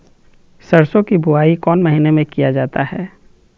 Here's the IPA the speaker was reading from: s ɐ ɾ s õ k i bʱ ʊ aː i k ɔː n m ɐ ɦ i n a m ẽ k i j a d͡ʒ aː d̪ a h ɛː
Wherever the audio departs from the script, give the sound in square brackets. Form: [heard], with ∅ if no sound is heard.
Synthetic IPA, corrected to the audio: s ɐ ɾ s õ k i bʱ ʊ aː i k ɔː n m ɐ ɦ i n [e] m ẽ k i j a d͡ʒ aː [t̪] a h ɛː